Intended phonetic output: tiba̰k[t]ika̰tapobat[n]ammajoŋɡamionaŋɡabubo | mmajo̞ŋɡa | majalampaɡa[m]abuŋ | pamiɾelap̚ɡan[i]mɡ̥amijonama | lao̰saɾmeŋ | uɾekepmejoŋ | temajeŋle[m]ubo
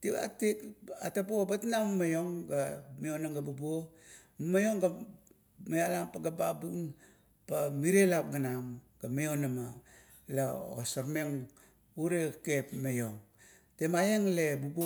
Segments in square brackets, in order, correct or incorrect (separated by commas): correct, correct, incorrect, incorrect, incorrect